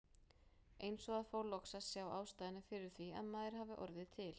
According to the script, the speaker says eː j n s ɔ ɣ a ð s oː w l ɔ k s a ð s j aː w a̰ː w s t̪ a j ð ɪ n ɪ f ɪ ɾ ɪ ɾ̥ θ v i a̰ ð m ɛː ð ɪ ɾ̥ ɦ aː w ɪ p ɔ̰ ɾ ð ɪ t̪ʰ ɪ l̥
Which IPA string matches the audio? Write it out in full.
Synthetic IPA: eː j n s ɔ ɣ a ð f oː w l ɔ k s a ð s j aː w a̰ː w s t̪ a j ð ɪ n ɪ f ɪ ɾ ɪ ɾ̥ θ v i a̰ ð m aː ð ɪ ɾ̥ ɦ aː v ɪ ʔ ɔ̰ ɾ ð ɪ t̪ʰ ɪ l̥